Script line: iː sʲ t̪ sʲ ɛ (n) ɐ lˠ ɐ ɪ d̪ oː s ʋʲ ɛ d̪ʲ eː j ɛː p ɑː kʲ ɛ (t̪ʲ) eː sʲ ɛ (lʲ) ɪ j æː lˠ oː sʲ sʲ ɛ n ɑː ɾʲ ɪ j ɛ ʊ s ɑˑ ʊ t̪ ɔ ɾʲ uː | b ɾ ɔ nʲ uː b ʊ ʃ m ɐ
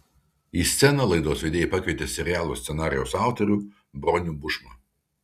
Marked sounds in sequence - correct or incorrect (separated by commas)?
correct, correct, incorrect